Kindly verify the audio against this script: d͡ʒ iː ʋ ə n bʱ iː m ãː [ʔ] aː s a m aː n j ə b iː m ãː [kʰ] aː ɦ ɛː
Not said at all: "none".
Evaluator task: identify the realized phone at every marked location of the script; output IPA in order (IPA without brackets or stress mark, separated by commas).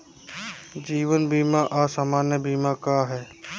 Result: ʔ, k